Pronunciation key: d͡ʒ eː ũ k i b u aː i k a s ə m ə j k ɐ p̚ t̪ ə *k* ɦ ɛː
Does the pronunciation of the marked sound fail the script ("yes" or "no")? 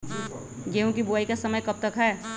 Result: no